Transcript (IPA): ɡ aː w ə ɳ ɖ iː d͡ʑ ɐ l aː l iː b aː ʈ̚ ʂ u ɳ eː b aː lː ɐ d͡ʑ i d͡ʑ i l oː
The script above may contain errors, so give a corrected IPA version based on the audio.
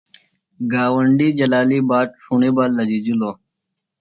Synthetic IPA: ɡ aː w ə ɳ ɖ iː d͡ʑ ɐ l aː l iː b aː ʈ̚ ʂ u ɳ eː b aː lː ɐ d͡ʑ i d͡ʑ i l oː